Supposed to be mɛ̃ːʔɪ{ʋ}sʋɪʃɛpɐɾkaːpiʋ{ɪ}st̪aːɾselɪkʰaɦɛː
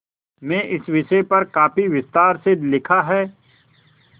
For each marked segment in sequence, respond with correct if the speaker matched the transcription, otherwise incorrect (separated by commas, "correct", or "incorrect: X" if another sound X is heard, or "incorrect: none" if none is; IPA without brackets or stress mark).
incorrect: none, correct